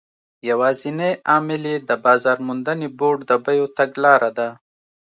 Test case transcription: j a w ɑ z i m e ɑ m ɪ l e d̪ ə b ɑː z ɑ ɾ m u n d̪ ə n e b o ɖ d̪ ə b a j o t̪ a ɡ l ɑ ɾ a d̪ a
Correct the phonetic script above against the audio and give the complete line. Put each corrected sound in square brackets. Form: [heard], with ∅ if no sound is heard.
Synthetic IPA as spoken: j a w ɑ z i [n] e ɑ m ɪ l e d̪ ə b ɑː z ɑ ɾ m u n d̪ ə n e b o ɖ d̪ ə b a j o t̪ a ɡ l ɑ ɾ a d̪ a